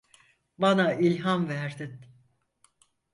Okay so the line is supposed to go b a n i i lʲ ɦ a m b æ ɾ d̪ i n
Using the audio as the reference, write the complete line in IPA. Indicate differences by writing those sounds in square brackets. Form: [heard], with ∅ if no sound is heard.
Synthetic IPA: b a n [a] i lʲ ɦ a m [v] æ ɾ d̪ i n